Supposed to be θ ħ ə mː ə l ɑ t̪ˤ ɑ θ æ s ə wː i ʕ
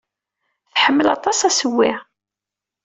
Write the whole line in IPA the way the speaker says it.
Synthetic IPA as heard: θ ħ ə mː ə l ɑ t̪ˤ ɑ s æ s ə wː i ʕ